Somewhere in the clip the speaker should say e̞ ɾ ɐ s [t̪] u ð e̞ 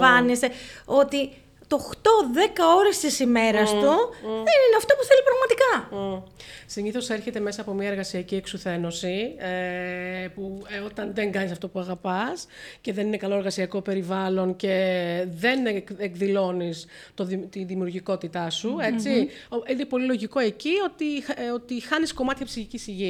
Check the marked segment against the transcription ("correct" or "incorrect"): correct